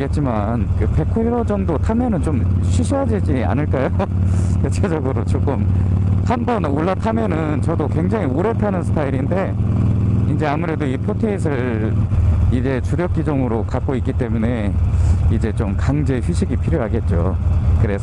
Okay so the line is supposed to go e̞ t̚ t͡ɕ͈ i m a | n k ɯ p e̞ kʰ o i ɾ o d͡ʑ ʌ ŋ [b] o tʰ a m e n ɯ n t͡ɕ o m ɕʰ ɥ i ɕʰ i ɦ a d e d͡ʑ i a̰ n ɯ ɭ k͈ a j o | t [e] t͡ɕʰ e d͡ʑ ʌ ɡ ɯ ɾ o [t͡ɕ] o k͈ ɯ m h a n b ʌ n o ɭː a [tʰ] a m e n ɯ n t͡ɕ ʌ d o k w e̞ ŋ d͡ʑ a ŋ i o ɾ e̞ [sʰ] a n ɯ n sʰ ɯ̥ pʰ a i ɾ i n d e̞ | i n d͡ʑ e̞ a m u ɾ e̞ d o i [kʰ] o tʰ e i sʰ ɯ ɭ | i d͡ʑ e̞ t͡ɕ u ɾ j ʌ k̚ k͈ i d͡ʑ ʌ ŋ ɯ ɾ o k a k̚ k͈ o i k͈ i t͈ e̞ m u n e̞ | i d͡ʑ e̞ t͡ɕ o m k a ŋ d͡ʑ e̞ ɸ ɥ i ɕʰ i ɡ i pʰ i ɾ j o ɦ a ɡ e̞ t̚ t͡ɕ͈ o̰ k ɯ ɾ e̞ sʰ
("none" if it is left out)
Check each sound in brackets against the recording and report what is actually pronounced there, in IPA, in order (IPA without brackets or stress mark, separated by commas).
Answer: d, e, t͡ɕ, tʰ, tʰ, pʰ